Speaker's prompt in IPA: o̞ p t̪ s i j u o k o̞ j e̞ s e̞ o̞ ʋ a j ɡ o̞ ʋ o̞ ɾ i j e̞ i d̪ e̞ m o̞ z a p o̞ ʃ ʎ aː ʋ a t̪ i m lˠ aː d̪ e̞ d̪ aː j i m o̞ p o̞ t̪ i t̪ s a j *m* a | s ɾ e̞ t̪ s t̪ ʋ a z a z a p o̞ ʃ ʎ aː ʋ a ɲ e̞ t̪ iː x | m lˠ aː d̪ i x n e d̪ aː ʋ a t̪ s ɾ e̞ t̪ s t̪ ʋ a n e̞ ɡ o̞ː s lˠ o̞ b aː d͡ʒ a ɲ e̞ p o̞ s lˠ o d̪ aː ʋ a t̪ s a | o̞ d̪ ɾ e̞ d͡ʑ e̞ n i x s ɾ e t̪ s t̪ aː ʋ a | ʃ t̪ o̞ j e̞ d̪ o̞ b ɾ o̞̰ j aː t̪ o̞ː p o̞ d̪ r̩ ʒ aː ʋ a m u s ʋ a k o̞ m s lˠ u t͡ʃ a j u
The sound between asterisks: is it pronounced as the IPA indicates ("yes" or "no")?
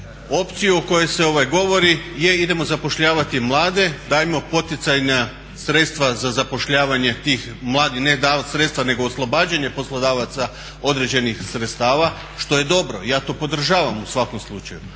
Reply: no